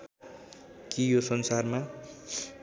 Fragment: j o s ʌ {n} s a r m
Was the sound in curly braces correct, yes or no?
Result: yes